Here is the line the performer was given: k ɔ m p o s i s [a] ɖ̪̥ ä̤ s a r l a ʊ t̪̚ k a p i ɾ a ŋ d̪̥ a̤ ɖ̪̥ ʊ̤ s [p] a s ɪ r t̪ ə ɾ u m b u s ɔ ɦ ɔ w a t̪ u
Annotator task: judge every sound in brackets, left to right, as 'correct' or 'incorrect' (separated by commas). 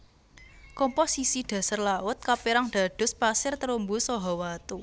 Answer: incorrect, correct